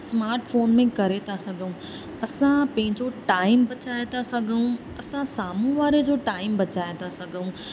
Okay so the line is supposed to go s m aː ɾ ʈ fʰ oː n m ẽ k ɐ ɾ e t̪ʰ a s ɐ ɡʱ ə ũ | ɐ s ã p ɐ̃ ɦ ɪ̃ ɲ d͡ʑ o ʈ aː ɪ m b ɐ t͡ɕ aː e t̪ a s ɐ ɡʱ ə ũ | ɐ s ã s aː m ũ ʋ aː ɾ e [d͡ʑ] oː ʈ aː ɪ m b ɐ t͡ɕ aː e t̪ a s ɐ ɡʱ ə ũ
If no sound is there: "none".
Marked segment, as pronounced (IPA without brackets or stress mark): d͡ʑ